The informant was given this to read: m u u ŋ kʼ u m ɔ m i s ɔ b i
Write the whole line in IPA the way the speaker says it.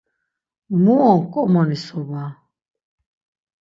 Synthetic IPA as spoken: m u ɔ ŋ kʼ ɔ m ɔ n i s ɔ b a